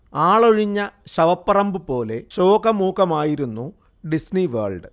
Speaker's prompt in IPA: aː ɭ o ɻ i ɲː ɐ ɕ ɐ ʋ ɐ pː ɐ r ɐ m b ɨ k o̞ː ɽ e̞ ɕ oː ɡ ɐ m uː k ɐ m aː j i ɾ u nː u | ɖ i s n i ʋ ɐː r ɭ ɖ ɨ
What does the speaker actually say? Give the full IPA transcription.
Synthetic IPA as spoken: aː ɭ o ɻ i ɲː ɐ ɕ ɐ ʋ ɐ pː ɐ r ɐ m b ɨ p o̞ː l e̞ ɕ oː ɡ ɐ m uː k ɐ m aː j i ɾ u nː u | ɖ i s n i ʋ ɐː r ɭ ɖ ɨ